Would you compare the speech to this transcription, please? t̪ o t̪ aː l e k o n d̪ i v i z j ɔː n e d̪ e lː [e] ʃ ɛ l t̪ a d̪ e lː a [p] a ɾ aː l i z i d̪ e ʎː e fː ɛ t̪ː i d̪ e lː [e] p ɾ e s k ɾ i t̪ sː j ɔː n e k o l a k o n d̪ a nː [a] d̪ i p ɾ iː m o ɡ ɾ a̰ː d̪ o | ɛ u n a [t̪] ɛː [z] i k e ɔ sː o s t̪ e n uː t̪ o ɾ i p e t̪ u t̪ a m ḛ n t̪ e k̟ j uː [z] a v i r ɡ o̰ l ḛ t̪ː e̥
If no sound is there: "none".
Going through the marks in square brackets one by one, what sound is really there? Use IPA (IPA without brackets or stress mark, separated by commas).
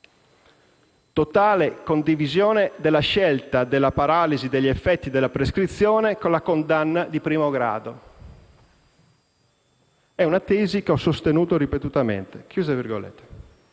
a, p, a, a, t̪, z, z